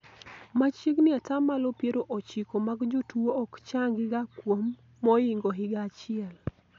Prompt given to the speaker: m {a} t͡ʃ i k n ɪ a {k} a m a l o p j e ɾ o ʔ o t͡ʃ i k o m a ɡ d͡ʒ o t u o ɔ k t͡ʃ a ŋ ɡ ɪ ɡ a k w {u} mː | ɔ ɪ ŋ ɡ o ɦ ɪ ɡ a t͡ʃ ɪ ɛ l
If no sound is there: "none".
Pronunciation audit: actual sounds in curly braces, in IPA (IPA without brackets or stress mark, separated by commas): a, t, o